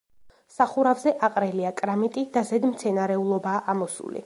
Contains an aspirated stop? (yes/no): no